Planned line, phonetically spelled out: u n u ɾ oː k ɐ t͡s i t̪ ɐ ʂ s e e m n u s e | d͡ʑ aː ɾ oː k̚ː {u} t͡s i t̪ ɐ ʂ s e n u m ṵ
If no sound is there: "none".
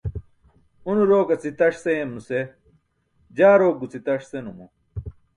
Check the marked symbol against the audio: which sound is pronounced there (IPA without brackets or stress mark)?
u